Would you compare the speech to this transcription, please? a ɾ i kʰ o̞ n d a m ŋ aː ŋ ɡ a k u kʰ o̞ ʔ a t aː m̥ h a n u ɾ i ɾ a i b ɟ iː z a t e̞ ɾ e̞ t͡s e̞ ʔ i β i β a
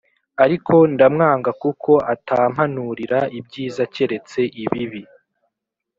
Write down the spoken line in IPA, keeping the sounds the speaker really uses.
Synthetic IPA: a ɾ i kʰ o̞ n d a m ŋ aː ŋ ɡ a k u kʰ o̞ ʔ a t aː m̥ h a n u ɾ i ɾ a i b ɟ iː z a c e̞ ɾ e̞ t͡s e̞ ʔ i β i β i